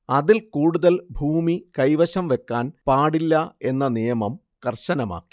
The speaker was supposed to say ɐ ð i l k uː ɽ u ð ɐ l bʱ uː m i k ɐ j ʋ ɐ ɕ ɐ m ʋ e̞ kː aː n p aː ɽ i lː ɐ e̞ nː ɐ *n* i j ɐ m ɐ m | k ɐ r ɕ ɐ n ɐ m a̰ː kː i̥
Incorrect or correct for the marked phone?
correct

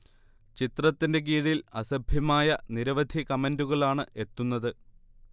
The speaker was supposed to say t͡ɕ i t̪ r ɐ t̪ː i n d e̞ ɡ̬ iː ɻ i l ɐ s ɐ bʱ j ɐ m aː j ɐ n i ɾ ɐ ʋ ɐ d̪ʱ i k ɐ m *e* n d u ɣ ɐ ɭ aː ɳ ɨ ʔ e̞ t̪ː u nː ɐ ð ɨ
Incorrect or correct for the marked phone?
correct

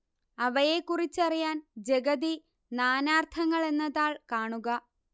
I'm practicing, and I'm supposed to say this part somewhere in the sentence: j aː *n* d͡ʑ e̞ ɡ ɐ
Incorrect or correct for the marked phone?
correct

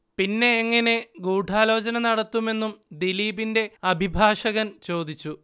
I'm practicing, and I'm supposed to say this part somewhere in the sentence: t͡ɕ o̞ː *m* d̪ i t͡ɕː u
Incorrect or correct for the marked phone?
incorrect: none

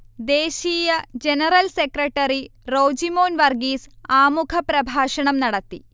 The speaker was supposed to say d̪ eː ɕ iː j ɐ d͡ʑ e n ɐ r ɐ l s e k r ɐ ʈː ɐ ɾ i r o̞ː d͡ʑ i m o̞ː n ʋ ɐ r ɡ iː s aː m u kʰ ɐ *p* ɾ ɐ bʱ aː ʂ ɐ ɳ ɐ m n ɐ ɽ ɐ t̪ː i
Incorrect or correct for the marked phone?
correct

